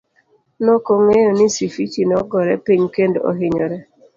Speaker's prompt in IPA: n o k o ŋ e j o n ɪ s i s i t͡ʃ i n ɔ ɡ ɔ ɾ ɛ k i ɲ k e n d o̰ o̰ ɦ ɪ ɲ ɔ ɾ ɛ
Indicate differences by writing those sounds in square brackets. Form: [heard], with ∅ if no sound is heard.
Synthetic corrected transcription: n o k o ŋ e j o n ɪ s i [f] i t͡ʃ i n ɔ ɡ ɔ ɾ ɛ [p] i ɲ k e n d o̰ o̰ ɦ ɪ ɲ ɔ ɾ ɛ